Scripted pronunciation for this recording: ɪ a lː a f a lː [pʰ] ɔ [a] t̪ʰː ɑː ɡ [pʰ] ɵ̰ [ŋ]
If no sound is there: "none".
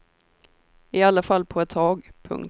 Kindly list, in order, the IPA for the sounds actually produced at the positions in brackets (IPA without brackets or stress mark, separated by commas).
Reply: pʰ, ɛ, pʰ, ŋ